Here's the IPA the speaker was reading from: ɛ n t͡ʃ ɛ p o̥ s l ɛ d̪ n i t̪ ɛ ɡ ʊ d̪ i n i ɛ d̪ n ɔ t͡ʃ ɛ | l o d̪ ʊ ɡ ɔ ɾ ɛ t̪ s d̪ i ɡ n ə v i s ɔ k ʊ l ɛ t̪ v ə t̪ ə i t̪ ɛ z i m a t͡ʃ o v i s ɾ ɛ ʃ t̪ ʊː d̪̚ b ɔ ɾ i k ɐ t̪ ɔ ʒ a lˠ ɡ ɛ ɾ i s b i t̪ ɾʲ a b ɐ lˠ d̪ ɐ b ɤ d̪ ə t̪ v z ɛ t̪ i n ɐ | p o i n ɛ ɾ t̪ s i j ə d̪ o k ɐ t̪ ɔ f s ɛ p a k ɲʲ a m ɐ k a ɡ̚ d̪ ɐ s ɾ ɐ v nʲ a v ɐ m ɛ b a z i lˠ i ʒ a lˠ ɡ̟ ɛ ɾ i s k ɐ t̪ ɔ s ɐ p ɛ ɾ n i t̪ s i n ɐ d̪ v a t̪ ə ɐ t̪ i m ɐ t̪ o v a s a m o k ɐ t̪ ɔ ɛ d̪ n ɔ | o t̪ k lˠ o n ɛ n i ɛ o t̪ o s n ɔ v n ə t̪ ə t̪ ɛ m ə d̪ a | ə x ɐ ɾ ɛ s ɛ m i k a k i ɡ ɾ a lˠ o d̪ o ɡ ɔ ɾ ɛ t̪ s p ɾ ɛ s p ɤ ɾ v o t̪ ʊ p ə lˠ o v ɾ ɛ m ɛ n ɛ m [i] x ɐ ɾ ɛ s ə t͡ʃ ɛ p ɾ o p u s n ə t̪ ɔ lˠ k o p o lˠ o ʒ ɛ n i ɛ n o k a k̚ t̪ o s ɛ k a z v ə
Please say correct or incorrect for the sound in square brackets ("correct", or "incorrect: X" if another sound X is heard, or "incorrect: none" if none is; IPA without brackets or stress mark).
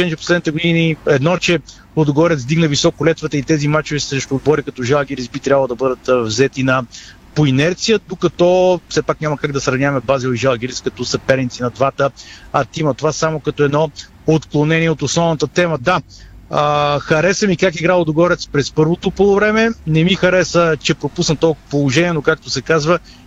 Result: correct